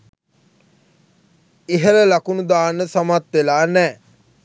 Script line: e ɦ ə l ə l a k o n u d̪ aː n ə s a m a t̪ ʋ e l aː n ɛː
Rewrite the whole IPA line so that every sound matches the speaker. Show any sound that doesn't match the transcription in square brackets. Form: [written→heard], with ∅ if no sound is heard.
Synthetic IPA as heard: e ɦ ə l ə l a k [o→u] n u d̪ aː n ə s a m a t̪ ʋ e l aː n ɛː